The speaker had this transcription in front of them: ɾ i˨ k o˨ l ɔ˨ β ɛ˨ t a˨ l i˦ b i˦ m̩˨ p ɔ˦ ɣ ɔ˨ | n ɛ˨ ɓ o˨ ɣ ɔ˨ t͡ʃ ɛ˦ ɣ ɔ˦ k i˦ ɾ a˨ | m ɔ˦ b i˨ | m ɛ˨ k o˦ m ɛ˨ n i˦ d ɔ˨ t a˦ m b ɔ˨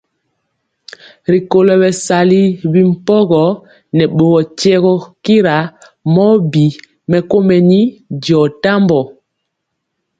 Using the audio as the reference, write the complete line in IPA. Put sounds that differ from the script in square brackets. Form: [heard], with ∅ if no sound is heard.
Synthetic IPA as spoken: ɾ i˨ k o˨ l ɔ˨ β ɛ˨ [s] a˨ l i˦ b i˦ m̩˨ p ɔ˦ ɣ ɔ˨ | n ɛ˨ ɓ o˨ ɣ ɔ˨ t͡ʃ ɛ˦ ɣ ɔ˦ k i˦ ɾ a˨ | m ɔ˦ b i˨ | m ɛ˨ k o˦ m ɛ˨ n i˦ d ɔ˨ t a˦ m b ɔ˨